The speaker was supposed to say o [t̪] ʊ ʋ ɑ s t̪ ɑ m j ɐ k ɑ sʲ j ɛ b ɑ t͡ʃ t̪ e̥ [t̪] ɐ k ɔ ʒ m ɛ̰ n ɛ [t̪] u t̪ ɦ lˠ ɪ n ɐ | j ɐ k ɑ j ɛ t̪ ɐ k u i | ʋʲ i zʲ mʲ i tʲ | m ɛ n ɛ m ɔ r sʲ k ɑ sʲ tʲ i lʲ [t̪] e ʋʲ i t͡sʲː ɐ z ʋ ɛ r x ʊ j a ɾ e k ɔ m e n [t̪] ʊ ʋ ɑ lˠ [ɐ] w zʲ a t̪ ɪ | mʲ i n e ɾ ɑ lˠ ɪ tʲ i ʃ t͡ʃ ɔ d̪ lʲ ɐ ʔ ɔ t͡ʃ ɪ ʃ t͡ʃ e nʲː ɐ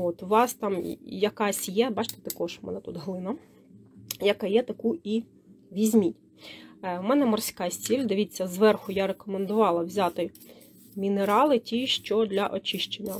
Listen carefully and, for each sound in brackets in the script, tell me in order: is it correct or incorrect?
correct, correct, correct, incorrect: d̪, incorrect: d̪, correct

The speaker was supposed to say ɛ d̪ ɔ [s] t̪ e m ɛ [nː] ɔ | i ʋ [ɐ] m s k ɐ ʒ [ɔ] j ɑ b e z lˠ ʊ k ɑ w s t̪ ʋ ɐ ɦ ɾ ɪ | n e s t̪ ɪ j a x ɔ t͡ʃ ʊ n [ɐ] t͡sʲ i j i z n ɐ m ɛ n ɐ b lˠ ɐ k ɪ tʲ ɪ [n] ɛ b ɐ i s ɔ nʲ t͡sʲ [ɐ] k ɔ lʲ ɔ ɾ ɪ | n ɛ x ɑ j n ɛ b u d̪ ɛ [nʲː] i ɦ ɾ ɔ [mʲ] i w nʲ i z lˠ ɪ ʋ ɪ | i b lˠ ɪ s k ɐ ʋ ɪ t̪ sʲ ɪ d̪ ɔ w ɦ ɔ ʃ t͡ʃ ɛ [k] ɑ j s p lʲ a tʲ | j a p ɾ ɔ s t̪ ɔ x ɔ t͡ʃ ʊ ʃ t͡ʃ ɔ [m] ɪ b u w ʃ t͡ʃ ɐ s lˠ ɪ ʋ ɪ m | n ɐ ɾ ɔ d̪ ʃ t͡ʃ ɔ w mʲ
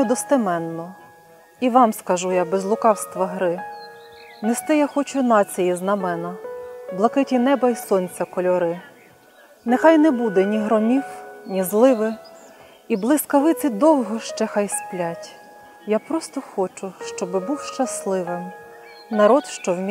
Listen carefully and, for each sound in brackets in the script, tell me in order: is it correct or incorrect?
correct, correct, incorrect: ɑ, incorrect: u, incorrect: ɑ, correct, correct, incorrect: nʲ, correct, incorrect: x, incorrect: b

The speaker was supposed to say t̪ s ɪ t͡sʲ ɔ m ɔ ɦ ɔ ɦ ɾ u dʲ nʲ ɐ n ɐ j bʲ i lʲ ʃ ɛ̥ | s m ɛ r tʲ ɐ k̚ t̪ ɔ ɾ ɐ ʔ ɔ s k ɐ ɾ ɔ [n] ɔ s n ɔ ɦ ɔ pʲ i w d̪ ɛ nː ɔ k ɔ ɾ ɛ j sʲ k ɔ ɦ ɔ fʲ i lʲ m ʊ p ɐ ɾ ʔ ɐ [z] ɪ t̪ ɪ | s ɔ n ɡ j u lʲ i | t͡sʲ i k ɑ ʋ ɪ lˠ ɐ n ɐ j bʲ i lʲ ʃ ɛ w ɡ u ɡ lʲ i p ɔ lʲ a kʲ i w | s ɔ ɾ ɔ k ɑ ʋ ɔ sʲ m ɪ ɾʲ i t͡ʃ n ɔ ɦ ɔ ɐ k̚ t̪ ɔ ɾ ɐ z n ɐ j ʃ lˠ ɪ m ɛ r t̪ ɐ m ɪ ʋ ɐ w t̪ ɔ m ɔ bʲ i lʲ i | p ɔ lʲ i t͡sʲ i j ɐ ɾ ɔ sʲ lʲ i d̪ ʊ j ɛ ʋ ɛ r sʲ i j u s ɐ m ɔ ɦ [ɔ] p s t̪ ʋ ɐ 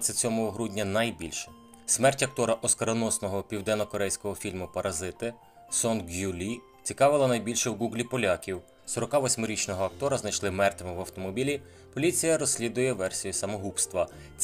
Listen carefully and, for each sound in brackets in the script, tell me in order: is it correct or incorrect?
correct, correct, incorrect: u

